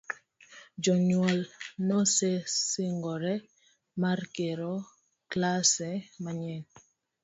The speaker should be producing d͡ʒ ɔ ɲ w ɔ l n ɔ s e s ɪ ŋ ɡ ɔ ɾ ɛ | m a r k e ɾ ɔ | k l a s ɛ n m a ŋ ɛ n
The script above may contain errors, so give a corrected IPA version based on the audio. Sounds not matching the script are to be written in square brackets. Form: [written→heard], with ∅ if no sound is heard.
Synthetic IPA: d͡ʒ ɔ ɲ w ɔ l n ɔ s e s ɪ ŋ ɡ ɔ ɾ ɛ | m a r k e ɾ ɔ | k l a s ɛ [n→∅] m a [ŋ→ɲ] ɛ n